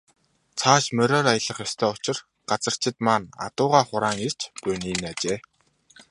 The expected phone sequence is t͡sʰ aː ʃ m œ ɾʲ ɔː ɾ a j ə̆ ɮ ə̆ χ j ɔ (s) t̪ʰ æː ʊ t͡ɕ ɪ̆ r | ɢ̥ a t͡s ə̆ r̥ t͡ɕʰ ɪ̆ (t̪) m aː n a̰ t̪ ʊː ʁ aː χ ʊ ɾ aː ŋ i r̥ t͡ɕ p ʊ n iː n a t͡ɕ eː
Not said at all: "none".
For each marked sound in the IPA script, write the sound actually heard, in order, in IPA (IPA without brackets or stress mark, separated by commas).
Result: s, t̪